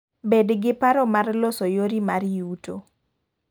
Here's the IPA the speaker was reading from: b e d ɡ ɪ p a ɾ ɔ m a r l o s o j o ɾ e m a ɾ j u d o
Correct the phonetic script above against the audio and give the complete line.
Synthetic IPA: b e d ɡ ɪ p a ɾ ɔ m a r l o s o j o ɾ i m a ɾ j u t o